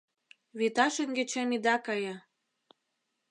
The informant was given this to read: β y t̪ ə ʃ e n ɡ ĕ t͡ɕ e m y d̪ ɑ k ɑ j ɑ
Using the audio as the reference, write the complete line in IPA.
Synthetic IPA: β i t̪ ɑ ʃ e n ɡ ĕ t͡ɕ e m i d̪ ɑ k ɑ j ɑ

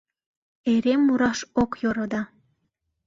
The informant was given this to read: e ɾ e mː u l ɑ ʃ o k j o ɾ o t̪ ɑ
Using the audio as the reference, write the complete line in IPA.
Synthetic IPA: e ɾ e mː u ɾ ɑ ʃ o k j o ɾ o d̪ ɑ

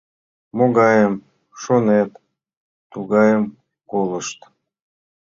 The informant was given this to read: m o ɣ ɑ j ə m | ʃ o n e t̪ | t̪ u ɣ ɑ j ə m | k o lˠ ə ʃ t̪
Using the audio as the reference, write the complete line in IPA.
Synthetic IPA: m o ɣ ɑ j ə m | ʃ o n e t̪ | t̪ u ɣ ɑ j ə m | k o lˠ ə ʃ t̪

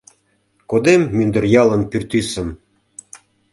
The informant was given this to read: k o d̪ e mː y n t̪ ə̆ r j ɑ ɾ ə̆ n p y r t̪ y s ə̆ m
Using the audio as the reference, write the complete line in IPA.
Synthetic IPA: k o d̪ e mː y n d̪ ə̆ r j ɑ l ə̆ n p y r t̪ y s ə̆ m

